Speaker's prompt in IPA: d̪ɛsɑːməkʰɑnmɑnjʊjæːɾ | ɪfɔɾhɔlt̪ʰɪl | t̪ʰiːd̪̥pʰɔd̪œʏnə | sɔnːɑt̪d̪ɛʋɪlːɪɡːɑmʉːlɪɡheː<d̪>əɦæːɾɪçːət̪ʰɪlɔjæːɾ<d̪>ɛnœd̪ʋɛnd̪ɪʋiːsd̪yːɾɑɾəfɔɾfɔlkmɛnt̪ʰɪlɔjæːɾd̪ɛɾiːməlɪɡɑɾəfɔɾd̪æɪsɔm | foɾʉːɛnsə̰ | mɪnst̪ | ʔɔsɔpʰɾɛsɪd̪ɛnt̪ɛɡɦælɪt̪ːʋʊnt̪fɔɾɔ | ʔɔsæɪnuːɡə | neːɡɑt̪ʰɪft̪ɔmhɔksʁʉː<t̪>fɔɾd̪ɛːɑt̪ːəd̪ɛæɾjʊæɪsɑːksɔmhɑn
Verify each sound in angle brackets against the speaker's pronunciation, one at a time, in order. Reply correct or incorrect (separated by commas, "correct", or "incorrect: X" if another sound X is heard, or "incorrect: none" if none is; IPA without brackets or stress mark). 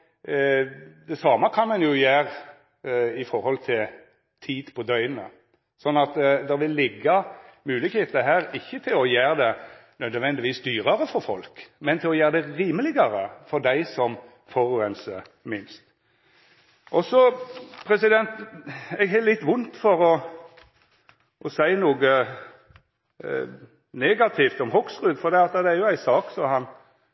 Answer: incorrect: t̪, correct, incorrect: d̪